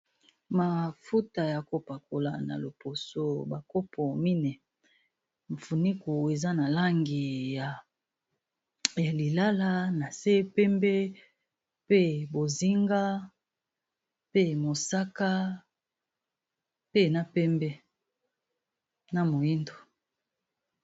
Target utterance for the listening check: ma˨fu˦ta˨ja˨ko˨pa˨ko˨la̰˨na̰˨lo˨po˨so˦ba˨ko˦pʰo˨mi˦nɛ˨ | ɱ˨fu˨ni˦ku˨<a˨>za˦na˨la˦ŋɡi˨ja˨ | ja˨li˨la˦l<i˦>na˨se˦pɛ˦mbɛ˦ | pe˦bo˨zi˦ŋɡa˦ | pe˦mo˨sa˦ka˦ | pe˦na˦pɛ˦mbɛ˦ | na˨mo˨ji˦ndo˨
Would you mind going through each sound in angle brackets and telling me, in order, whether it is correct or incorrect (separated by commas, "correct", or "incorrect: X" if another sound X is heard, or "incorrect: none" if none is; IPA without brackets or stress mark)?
incorrect: e˨, incorrect: a˦